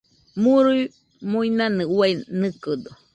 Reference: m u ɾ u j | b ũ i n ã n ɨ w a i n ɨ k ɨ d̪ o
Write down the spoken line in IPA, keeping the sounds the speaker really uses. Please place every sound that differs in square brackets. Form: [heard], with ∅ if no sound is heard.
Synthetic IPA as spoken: m u ɾ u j | [m] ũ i n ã n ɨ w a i n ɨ k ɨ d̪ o